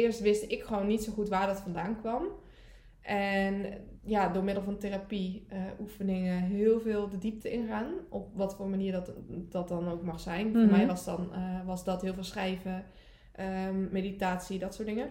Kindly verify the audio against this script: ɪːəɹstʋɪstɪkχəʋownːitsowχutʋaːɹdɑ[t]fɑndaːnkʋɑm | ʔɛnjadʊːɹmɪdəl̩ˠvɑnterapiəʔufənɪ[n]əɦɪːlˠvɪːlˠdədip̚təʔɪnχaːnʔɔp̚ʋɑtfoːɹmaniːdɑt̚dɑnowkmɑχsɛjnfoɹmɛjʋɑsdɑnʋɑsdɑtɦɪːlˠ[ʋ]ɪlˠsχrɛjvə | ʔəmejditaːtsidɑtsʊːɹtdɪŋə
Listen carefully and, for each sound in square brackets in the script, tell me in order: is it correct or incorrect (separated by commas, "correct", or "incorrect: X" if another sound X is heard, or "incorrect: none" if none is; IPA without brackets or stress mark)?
correct, incorrect: ŋ, incorrect: v